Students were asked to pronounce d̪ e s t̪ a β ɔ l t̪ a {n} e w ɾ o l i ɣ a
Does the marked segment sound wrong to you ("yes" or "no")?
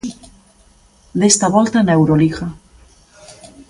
no